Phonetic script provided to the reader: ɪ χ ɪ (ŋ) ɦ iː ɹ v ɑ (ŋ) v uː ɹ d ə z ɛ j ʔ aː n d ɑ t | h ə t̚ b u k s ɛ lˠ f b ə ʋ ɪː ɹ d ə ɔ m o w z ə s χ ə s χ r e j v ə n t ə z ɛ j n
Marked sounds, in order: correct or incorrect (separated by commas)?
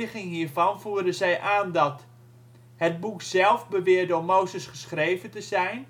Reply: correct, incorrect